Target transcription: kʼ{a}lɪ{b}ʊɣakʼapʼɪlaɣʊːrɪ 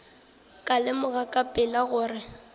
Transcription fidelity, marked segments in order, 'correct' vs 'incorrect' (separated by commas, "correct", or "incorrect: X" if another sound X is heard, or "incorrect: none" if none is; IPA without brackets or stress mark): correct, incorrect: m